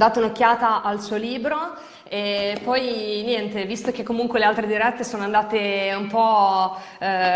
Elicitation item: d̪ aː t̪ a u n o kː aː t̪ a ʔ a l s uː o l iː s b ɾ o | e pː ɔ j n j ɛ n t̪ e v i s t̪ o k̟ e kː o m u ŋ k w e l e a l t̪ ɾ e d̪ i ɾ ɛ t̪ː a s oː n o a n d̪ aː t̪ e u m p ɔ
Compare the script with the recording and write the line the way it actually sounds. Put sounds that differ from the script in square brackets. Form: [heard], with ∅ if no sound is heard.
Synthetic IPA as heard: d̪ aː t̪ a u n o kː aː t̪ a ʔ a l s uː o l iː [∅] b ɾ o | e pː ɔ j n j ɛ n t̪ e v i s t̪ o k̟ e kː o m u ŋ k w e l e a l t̪ ɾ e d̪ i ɾ ɛ t̪ː [e] s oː n o a n d̪ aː t̪ e u m p ɔ